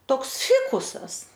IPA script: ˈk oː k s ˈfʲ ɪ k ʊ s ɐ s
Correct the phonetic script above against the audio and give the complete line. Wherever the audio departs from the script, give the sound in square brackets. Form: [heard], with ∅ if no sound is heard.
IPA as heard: [ˈt] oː k s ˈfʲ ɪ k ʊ s ɐ s